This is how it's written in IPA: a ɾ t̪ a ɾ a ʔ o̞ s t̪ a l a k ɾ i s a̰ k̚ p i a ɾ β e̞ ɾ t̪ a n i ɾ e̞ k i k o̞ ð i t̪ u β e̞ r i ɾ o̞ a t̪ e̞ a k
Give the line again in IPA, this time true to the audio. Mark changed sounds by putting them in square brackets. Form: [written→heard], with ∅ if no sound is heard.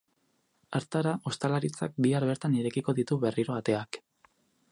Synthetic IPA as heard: a ɾ t̪ a ɾ a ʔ o̞ s t̪ a l a [k→∅] ɾ i [s→t͡s] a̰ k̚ [p→b] i a ɾ β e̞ ɾ t̪ a n i ɾ e̞ k i k o̞ ð i t̪ u β e̞ r i ɾ o̞ a t̪ e̞ a k